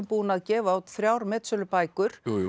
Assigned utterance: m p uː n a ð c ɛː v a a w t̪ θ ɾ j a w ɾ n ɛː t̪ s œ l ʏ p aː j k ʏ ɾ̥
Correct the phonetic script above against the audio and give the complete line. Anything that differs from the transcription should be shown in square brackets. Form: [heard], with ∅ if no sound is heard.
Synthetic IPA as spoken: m p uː n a ð c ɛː v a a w t̪ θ ɾ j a w ɾ [m] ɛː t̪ s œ l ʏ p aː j k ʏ ɾ̥